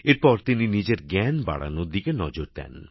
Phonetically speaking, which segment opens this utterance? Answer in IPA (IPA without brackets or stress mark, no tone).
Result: e